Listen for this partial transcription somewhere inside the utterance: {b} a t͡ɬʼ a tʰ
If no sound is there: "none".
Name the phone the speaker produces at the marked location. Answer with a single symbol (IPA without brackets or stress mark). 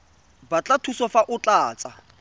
b